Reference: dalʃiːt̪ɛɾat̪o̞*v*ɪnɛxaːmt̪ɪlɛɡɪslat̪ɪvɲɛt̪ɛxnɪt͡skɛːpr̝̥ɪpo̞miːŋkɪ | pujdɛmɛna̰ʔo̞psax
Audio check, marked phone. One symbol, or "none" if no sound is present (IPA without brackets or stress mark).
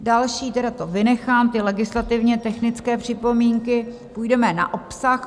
v